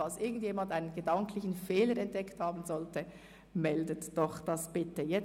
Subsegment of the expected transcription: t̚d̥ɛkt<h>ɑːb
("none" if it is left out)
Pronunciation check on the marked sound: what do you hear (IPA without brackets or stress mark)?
h